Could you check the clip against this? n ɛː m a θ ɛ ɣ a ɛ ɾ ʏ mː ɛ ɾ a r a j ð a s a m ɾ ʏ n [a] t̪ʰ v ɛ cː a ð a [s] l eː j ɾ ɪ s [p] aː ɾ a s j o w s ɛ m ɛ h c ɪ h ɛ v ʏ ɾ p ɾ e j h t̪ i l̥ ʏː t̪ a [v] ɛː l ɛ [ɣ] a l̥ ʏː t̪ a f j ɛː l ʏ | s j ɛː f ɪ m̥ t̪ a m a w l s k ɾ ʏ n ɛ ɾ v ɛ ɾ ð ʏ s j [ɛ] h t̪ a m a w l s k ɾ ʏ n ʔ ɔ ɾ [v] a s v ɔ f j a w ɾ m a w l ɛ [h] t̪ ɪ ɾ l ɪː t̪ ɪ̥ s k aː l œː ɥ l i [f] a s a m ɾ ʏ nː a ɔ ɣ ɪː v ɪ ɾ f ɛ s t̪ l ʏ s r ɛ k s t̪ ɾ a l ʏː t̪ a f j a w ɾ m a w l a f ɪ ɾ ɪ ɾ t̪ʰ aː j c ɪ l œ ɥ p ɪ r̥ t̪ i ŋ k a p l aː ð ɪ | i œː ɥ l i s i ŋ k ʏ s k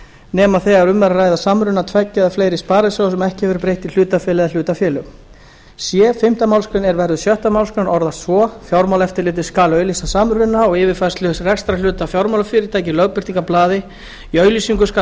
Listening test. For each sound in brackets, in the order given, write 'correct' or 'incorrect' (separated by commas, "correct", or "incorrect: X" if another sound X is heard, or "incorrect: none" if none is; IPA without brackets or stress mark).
correct, incorrect: f, correct, incorrect: f, incorrect: ð, incorrect: œ, incorrect: ð, incorrect: f, incorrect: s